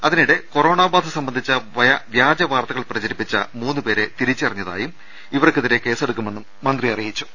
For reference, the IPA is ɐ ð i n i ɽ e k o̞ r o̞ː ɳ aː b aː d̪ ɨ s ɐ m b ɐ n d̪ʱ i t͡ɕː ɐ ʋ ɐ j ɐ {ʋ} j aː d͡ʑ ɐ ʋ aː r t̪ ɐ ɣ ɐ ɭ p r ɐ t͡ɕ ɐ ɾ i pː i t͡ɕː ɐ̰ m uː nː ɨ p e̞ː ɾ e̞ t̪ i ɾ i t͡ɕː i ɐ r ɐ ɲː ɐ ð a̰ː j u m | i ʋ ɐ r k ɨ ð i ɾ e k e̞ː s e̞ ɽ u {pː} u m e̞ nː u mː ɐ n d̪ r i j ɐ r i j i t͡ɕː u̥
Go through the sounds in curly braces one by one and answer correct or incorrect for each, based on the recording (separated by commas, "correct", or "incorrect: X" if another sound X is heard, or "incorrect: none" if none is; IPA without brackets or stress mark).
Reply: correct, incorrect: kː